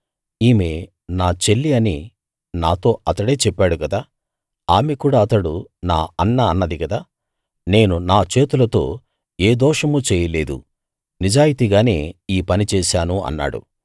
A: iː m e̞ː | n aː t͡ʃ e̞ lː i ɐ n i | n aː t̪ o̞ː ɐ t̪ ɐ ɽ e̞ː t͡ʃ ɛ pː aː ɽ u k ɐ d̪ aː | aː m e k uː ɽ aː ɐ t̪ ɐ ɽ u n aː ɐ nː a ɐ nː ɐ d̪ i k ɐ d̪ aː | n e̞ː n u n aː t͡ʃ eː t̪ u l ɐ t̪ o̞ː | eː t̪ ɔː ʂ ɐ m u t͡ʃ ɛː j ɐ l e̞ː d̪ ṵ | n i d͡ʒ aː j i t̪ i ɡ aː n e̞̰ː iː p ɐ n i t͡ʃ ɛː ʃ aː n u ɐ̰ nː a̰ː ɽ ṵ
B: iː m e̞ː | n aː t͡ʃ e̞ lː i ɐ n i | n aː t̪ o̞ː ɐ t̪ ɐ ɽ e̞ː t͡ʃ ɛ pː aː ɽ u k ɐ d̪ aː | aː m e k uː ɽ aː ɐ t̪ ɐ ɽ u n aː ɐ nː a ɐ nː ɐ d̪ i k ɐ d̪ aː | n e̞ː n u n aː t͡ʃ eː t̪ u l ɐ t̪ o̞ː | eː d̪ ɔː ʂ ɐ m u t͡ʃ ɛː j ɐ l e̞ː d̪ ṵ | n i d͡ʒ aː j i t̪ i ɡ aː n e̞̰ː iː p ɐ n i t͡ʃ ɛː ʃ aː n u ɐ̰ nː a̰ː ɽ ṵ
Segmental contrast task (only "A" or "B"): B